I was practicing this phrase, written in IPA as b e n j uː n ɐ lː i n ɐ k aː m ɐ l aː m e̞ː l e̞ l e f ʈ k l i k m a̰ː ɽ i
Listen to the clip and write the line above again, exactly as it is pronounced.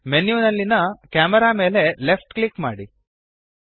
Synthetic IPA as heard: m e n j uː n ɐ lː i n ɐ k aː m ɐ ɾ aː m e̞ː l e̞ l e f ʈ k l i k m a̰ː ɽ i